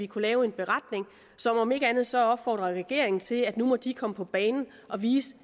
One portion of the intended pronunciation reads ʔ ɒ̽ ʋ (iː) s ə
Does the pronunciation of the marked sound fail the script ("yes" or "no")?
no